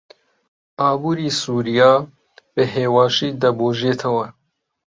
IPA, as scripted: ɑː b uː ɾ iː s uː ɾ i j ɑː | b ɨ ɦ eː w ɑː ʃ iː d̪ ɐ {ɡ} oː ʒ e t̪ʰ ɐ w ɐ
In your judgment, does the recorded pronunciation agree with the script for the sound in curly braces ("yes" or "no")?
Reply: no